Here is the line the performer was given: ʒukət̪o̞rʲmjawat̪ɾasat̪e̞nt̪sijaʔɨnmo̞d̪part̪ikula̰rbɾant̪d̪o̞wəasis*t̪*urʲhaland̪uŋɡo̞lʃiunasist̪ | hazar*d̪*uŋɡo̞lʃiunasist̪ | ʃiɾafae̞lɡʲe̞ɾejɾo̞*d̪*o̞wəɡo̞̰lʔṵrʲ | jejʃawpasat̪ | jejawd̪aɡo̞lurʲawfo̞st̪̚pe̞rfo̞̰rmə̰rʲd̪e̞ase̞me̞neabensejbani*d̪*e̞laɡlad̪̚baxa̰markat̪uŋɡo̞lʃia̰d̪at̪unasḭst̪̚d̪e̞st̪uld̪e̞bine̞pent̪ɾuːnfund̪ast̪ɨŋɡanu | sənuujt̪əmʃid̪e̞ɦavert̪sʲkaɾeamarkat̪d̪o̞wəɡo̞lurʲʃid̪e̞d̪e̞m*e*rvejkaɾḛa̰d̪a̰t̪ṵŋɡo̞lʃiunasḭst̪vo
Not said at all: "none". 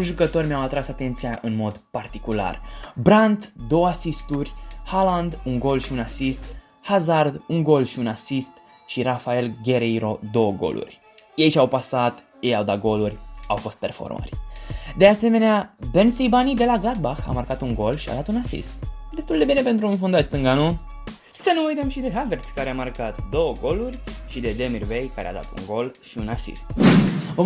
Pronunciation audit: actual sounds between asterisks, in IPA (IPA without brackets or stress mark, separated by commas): t̪, d̪, d̪, d̪, i